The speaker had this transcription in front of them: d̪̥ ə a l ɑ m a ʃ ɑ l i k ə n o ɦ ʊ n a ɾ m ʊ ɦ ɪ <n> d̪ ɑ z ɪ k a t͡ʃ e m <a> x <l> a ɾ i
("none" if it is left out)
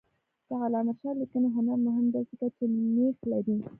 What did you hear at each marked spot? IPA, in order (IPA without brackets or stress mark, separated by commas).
m, e, l